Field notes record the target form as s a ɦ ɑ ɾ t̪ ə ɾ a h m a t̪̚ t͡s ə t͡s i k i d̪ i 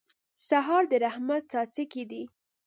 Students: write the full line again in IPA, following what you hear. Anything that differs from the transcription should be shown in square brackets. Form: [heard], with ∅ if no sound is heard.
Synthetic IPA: s a ɦ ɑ ɾ [d̪] ə ɾ a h m a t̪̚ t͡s [ɑ] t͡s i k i d̪ i